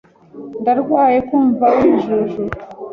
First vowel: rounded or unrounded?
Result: unrounded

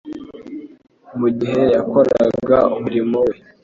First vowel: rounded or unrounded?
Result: rounded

